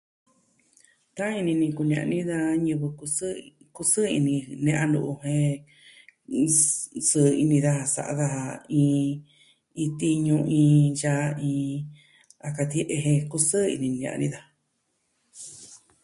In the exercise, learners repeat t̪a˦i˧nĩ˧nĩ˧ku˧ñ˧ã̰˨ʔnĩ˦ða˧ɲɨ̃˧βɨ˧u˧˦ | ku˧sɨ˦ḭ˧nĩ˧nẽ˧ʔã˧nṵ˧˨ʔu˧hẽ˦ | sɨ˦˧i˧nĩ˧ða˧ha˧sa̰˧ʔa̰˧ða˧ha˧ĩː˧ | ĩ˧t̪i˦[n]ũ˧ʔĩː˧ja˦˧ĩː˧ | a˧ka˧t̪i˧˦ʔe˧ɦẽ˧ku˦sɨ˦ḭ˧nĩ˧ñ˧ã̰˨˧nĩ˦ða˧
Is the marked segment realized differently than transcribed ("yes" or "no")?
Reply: yes